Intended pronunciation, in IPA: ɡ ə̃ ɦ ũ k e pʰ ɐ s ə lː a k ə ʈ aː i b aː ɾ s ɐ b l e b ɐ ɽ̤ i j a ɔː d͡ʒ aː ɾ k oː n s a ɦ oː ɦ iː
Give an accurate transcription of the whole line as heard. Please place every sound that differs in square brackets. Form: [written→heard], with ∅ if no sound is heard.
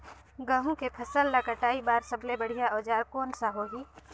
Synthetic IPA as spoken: ɡ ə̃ ɦ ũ k e pʰ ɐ s ə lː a k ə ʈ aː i b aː ɾ s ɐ b l e b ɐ ɽ̤ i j a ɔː d͡ʒ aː ɾ k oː n s a ɦ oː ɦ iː